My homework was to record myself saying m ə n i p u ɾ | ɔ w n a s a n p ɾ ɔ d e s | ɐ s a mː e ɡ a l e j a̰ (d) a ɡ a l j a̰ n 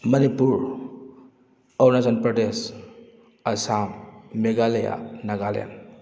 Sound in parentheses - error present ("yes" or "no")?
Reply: yes